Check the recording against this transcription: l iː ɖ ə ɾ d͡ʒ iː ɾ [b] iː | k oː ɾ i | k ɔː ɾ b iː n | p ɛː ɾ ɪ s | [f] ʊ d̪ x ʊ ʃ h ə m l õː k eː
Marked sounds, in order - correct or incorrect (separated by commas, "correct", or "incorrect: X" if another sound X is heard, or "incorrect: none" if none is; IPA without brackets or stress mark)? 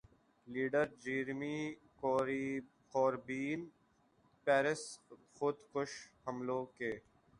incorrect: m, incorrect: x